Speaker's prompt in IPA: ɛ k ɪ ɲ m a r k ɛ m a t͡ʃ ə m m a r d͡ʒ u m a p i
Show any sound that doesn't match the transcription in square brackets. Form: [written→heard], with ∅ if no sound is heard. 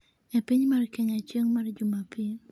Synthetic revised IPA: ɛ [k→p] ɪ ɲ m a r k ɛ [m→ɲ] a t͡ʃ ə [m→ŋ] m a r d͡ʒ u m a p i